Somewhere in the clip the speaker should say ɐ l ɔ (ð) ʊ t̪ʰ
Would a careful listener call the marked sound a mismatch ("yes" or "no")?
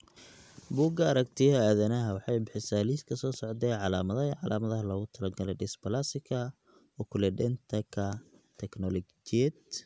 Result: yes